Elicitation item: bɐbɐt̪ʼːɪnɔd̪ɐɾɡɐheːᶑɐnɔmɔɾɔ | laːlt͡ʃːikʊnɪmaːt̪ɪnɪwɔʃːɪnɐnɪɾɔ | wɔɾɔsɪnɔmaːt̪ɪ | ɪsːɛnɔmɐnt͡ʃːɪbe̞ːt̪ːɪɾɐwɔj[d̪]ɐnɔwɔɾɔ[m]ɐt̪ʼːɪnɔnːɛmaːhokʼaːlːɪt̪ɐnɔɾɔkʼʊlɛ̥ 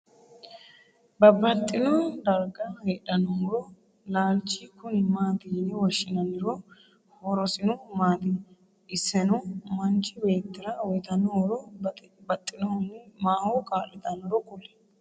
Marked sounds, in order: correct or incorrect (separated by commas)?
incorrect, incorrect